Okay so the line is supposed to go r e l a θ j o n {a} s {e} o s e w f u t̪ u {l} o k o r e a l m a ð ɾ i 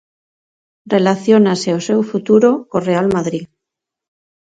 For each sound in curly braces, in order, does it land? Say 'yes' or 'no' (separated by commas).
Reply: yes, yes, no